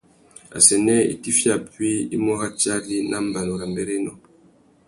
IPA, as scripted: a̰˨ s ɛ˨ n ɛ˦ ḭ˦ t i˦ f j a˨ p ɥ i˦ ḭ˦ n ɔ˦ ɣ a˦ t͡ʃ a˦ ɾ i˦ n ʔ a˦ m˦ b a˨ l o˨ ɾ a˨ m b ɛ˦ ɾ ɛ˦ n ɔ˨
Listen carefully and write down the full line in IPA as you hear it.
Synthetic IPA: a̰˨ s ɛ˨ n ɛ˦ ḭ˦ t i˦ f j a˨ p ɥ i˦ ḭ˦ m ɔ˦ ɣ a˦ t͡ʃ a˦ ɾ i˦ n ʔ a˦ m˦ b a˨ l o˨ ɾ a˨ m b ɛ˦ ɾ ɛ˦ n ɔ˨